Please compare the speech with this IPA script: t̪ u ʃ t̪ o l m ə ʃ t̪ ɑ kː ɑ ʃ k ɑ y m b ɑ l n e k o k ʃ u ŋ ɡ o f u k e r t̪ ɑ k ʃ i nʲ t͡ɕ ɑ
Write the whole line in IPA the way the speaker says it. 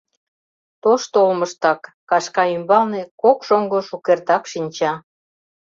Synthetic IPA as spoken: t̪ o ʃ t̪ o l m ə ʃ t̪ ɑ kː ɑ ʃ k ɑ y m b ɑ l n e k o k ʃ o ŋ ɡ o ʃ u k e r t̪ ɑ k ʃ i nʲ t͡ɕ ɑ